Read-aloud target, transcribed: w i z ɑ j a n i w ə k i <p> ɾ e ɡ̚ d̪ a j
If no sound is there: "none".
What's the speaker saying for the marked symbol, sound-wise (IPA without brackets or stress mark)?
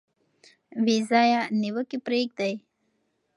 p